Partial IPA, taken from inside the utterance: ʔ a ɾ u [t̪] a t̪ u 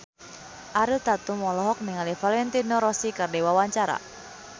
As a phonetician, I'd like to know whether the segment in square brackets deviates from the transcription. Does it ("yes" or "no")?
no